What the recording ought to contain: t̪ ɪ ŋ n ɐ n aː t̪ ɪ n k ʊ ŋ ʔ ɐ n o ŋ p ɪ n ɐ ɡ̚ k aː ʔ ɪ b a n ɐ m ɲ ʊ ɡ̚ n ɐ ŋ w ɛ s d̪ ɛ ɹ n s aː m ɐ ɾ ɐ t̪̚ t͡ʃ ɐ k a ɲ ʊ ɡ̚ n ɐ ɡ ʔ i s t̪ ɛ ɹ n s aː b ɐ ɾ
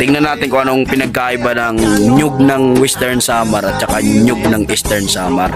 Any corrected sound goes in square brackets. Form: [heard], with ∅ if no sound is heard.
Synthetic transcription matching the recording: t̪ ɪ ŋ n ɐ n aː t̪ ɪ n k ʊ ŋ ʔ ɐ n o ŋ p ɪ n ɐ ɡ̚ k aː ʔ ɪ b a n ɐ [ŋ] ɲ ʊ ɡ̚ n ɐ ŋ w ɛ s [t̪] ɛ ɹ n s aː m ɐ ɾ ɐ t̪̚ t͡ʃ ɐ k a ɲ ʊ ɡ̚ n ɐ [ŋ] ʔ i s t̪ ɛ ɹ n s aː [m] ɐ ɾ